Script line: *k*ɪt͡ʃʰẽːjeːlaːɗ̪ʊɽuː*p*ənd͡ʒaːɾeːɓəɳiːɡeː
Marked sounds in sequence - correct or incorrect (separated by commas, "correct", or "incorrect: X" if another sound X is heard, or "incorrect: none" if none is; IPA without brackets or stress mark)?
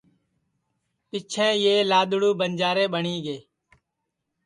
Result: incorrect: p, incorrect: b